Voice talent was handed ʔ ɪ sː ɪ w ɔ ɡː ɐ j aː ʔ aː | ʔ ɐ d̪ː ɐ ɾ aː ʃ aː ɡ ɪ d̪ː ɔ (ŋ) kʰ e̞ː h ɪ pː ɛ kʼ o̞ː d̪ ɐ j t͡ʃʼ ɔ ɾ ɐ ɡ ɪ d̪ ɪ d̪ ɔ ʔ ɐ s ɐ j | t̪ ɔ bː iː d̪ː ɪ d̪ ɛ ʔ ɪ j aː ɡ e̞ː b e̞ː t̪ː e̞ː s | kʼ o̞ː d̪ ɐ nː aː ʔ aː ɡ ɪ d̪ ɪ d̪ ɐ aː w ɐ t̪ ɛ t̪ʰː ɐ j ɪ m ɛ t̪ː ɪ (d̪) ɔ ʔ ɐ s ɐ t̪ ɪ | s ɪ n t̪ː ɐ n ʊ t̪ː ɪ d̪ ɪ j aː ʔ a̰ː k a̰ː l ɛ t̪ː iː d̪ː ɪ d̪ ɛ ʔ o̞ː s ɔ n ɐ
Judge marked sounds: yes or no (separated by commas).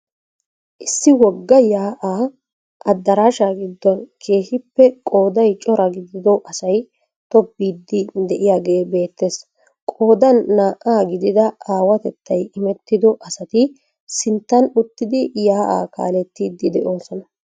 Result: no, yes